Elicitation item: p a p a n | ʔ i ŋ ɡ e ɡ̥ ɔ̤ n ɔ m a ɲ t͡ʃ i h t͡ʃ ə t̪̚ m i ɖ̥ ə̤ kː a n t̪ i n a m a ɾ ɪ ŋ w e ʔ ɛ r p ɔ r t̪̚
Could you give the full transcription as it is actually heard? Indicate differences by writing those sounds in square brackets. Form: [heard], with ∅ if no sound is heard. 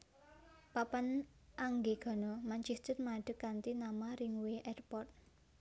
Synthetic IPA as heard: p a p a n | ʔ [a] ŋ ɡ e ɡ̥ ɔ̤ n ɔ m a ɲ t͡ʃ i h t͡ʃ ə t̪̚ m [a] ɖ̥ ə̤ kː a n t̪ i n a m a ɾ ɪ ŋ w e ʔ ɛ r p ɔ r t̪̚